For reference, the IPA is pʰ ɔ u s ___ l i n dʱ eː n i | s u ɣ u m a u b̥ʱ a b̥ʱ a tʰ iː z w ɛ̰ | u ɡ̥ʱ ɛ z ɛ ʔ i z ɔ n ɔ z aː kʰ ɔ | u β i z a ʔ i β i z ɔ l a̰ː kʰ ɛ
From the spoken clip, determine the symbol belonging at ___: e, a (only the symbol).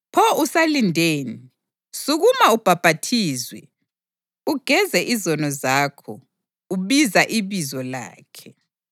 a